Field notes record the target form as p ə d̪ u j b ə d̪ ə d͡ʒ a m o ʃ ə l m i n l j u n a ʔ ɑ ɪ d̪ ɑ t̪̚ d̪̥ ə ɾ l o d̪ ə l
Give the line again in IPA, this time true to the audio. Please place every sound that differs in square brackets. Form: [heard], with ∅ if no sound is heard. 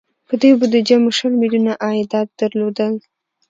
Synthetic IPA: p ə d̪ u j b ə d̪ ə d͡ʒ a m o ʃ ə l m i [∅] l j u n a ʔ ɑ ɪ d̪ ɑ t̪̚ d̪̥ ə ɾ l o d̪ ə l